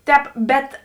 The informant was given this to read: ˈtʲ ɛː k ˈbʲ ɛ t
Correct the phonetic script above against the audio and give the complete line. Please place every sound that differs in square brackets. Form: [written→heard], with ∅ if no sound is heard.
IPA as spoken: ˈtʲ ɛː [k→p] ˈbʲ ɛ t